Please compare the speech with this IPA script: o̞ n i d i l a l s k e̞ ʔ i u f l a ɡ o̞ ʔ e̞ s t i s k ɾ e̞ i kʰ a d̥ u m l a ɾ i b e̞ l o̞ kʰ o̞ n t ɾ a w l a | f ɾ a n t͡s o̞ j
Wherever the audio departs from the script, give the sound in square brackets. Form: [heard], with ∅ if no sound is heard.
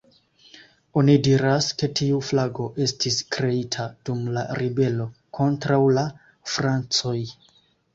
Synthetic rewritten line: o̞ n i d i [ɾ] a [∅] s k e̞ [t] i u f l a ɡ o̞ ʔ e̞ s t i s k ɾ e̞ i [tʰ] a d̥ u m l a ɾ i b e̞ l o̞ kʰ o̞ n t ɾ a w l a | f ɾ a n t͡s o̞ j